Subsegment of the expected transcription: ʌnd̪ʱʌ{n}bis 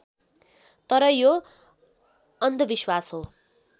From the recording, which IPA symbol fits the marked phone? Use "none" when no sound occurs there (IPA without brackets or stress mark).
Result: none